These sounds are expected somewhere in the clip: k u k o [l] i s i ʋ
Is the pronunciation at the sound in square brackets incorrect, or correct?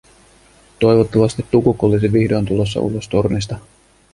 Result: correct